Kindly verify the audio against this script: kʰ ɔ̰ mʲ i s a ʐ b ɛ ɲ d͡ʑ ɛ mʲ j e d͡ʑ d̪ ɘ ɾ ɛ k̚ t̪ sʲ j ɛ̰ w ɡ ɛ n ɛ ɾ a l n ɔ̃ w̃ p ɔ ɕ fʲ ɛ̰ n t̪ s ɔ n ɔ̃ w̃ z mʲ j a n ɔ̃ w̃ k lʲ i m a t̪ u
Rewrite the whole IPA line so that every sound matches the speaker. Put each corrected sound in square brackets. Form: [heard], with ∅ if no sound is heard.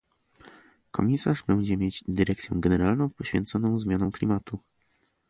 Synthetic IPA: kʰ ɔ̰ mʲ i s a ʐ b ɛ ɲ d͡ʑ ɛ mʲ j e d͡ʑ d̪ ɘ ɾ ɛ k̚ t̪ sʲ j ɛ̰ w ɡ ɛ n ɛ ɾ a l n ɔ̃ w̃ p ɔ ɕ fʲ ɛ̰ n t̪ s ɔ n ɔ̃ w̃ z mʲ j a n ɔ̃ w̃ k lʲ i m a t̪ u